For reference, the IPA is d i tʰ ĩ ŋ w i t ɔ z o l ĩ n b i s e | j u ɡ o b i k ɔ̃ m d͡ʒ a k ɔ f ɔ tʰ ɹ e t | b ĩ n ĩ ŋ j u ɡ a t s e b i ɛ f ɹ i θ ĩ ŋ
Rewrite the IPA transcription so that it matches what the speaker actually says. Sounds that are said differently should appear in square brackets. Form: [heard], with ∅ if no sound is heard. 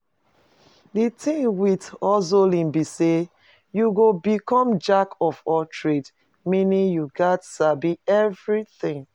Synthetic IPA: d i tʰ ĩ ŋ w i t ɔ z o l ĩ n b i s e | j u ɡ o b i k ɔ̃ m d͡ʒ a k ɔ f ɔ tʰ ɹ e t | [m] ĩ n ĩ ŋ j u ɡ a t s [a] b i ɛ [v] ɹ i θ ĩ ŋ